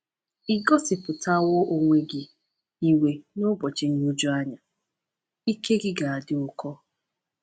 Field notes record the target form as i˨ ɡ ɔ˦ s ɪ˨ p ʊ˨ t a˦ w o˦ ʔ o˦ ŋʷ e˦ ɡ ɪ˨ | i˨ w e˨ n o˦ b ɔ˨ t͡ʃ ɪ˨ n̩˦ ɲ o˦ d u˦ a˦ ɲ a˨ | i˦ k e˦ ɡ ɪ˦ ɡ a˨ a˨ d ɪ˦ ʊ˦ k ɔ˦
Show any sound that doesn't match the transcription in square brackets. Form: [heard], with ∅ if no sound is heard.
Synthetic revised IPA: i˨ ɡ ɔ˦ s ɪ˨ p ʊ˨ t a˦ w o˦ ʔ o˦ ŋʷ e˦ ɡ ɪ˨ | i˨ w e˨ n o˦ b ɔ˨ t͡ʃ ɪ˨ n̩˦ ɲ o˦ [d͡ʒ] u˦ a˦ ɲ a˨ | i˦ k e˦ ɡ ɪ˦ ɡ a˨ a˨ d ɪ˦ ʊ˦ k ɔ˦

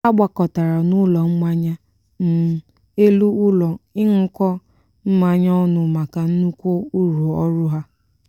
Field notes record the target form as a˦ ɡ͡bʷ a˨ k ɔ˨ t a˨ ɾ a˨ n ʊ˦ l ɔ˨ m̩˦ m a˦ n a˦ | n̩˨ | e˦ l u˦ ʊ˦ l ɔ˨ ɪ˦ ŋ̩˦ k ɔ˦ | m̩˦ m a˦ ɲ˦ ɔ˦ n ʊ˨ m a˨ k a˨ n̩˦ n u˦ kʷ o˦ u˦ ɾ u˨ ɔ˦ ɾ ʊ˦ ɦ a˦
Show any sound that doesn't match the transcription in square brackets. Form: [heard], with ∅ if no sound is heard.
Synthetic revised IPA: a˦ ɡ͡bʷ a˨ k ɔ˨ t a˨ ɾ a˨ n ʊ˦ l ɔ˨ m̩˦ m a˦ [ɲ] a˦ | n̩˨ | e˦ l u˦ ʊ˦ l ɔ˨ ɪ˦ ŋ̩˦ k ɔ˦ | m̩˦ m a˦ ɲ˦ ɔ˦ n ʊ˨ m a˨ k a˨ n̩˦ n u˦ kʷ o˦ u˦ ɾ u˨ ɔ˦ ɾ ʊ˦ ɦ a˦

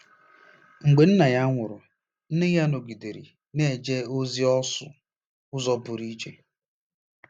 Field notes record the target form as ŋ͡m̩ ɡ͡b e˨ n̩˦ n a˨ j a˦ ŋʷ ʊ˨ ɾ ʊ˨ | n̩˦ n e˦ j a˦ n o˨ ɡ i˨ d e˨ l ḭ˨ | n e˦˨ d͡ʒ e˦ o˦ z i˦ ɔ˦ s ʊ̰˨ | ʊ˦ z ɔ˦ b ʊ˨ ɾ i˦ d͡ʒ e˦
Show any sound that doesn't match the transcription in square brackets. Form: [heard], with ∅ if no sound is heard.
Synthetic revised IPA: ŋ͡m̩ ɡ͡b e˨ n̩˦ n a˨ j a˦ ŋʷ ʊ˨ ɾ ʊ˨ | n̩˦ n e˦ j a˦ n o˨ ɡ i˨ d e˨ [ɾ] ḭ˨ | n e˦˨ d͡ʒ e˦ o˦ z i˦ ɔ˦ s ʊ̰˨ | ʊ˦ z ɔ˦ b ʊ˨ ɾ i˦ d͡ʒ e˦

